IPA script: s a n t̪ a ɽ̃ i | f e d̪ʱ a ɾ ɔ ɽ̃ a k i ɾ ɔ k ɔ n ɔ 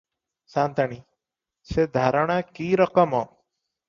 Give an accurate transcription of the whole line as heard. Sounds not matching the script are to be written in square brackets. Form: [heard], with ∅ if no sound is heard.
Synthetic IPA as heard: s a n t̪ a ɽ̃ i | [s] e d̪ʱ a ɾ ɔ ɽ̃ a k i ɾ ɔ k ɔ [m] ɔ

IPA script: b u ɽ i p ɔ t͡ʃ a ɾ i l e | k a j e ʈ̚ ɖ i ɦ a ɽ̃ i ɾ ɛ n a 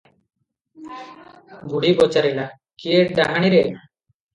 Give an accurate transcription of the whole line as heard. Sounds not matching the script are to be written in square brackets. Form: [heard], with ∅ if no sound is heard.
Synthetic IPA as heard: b u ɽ i [b] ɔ t͡ʃ a ɾ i l [a] | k [i] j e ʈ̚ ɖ [a] ɦ a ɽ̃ i ɾ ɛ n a

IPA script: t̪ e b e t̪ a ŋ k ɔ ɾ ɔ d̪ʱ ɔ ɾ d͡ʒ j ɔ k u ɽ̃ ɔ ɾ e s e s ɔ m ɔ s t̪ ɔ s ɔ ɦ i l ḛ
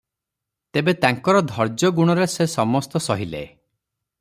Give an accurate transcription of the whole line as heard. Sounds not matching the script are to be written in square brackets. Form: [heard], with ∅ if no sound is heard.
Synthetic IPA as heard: t̪ e b e t̪ a ŋ k ɔ ɾ ɔ d̪ʱ ɔ ɾ d͡ʒ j ɔ [ɡ] u ɽ̃ ɔ ɾ e s e s ɔ m ɔ s t̪ ɔ s ɔ ɦ i l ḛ

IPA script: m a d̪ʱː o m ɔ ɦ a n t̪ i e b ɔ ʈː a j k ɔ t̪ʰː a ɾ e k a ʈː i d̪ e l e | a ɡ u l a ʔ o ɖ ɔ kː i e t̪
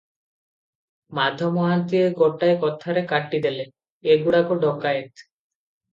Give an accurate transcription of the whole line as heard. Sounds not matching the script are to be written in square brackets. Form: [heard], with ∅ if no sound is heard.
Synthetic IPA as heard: m a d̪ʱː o m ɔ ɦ a n t̪ i e [ɡ] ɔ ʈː a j k ɔ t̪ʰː a ɾ e k a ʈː i d̪ e l e | [e] ɡ u [ɽ] a [k] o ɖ ɔ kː [a] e t̪

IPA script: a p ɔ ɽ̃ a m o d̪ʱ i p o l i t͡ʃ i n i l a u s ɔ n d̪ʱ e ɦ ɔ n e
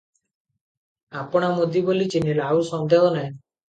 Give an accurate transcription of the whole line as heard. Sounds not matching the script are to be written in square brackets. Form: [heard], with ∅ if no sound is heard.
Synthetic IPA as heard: a p ɔ ɽ̃ a m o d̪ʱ i [b] o l i t͡ʃ i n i l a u s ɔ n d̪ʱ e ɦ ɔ n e

